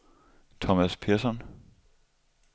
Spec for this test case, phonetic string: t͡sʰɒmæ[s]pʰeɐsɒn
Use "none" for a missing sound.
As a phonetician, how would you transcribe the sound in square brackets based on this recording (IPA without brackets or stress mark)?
s